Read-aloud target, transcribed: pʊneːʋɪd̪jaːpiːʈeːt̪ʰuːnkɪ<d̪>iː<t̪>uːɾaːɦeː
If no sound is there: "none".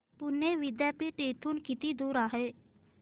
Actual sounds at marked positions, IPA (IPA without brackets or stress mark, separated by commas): t̪, d̪